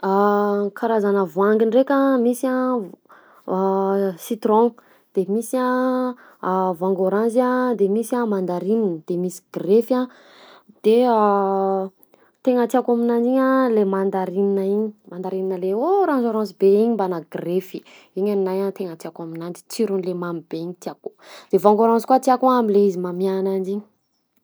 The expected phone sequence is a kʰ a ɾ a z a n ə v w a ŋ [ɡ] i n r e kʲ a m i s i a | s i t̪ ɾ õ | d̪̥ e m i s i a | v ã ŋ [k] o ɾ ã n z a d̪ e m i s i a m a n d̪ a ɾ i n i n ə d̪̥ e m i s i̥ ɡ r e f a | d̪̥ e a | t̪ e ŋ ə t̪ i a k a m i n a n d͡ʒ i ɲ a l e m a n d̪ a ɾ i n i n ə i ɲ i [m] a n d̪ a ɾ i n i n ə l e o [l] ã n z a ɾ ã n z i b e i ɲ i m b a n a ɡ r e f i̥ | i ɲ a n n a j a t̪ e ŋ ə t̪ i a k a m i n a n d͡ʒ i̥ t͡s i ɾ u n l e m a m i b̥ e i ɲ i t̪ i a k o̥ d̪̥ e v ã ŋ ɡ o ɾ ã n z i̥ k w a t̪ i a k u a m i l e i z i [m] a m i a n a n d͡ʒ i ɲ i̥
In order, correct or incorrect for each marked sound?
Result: correct, incorrect, correct, incorrect, correct

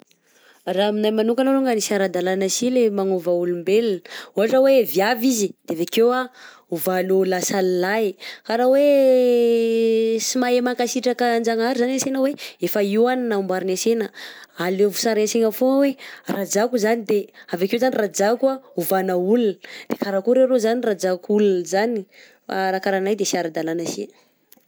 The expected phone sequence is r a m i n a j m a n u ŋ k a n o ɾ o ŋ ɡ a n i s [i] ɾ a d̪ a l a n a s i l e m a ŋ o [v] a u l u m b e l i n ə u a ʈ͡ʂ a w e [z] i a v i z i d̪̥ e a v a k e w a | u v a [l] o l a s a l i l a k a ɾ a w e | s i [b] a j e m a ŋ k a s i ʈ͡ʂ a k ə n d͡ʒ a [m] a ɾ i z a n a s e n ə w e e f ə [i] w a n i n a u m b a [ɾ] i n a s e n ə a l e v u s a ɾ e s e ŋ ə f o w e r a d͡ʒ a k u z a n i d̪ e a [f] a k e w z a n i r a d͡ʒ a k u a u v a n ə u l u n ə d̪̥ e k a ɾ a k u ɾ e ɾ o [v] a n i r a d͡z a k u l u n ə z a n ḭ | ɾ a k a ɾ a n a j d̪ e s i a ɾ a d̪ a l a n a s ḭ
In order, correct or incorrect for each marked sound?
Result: incorrect, correct, incorrect, correct, incorrect, incorrect, correct, correct, incorrect, incorrect

